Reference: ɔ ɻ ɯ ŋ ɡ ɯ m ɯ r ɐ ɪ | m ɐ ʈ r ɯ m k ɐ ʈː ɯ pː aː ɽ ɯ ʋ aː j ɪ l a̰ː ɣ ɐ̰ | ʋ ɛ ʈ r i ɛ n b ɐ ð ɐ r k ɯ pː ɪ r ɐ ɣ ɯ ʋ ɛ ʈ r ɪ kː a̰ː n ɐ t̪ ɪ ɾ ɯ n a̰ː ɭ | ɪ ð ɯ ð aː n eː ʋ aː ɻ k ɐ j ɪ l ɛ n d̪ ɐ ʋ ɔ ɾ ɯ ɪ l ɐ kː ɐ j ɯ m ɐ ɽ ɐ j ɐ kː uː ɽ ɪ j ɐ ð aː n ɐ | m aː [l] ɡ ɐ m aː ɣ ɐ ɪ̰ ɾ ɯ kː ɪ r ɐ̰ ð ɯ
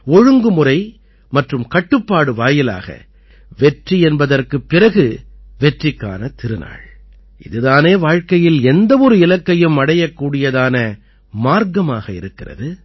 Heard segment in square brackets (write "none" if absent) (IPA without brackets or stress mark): ɾ